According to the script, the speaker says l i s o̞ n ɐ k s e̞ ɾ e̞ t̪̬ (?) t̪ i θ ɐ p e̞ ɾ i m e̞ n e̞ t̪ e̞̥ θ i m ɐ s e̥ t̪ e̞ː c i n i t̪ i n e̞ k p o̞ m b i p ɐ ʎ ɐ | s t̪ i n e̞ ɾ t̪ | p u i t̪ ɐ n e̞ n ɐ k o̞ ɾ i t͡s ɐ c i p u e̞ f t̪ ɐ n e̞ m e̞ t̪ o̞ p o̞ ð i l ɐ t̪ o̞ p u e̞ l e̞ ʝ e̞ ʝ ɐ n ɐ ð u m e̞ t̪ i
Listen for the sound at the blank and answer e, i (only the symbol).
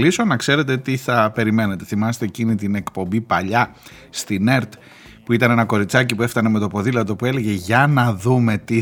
e